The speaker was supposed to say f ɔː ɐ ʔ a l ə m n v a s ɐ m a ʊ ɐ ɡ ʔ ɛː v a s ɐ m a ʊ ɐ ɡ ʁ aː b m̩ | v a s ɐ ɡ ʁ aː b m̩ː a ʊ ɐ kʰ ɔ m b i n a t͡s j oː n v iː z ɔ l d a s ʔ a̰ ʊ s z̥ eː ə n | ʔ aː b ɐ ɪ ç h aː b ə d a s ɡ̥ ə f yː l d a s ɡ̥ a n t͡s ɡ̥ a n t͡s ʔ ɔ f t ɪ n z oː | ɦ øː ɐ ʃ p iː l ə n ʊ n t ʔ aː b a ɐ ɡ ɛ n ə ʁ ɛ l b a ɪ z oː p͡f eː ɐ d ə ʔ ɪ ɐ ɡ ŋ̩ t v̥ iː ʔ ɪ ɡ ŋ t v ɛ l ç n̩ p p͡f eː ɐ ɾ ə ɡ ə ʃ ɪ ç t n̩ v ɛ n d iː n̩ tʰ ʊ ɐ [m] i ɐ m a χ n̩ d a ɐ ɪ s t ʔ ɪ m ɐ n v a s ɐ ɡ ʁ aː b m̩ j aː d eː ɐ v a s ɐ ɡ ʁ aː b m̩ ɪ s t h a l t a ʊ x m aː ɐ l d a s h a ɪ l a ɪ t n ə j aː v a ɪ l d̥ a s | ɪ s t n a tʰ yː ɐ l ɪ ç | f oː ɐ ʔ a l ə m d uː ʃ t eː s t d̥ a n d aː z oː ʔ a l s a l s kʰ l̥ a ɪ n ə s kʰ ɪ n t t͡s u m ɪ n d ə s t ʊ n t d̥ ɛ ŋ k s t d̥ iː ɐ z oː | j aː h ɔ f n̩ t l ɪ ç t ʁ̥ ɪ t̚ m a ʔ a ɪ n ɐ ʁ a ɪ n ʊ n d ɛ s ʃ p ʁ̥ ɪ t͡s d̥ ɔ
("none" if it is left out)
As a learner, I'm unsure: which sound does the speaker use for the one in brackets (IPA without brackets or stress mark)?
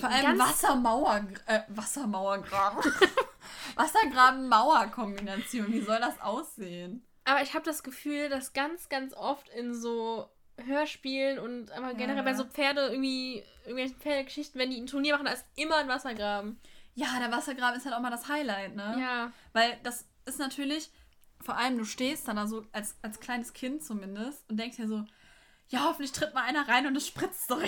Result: n